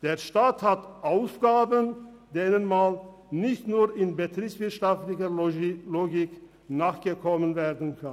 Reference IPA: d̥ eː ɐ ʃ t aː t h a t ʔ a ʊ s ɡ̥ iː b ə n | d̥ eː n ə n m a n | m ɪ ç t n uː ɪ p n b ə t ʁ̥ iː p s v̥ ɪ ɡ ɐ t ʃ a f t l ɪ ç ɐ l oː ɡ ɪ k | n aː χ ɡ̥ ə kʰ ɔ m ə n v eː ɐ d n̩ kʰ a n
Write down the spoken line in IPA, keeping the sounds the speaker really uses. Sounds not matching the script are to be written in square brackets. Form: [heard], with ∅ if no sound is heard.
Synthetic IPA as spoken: d̥ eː ɐ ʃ t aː t h a t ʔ a ʊ s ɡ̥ [aː] b ə n | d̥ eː n ə n m a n | [n] ɪ ç t n uː ɪ [∅] n b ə t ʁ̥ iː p s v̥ ɪ [∅] ɐ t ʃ a f t l ɪ ç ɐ l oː ɡ ɪ k | n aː χ ɡ̥ ə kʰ ɔ m ə n v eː ɐ d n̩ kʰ a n